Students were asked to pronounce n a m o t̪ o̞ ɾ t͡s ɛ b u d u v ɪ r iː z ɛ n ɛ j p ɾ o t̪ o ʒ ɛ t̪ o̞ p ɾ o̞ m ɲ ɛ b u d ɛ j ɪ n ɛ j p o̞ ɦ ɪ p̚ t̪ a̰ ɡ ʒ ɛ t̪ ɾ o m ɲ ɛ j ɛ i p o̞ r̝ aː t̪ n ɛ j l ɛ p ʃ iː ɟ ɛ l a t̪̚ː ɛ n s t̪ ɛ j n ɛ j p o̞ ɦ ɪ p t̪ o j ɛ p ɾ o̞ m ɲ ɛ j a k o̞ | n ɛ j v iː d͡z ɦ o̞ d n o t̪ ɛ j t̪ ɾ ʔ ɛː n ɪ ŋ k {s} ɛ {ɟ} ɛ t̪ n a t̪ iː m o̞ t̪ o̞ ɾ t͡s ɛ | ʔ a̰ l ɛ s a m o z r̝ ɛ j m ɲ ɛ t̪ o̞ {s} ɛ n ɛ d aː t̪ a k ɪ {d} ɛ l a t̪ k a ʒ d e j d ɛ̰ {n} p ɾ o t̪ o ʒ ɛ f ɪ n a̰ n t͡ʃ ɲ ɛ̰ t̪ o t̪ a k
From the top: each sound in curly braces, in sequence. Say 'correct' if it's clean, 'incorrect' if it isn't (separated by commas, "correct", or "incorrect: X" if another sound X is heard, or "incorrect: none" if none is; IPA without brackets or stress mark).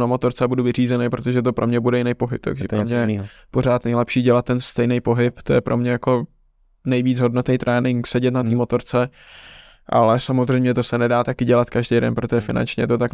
correct, correct, correct, incorrect: ɟ, correct